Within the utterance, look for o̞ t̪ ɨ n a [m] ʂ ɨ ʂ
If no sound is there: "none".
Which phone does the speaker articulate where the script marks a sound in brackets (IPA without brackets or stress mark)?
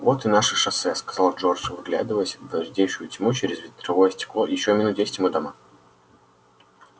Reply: none